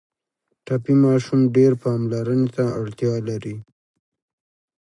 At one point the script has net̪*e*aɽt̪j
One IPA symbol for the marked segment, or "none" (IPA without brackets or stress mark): a